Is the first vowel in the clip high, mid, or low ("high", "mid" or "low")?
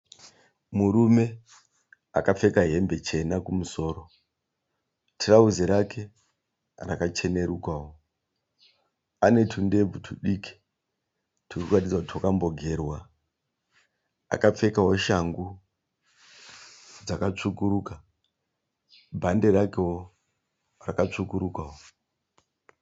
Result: high